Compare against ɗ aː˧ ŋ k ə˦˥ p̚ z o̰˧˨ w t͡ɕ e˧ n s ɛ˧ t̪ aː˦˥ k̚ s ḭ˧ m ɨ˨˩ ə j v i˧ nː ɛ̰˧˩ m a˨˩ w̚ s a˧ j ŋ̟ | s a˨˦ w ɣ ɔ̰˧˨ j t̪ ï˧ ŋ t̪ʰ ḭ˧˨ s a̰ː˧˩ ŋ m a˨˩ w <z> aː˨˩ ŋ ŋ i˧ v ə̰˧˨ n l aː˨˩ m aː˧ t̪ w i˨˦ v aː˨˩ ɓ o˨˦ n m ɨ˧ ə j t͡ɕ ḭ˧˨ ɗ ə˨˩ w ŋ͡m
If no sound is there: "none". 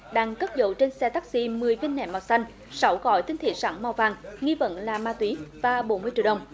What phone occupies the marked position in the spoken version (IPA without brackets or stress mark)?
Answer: v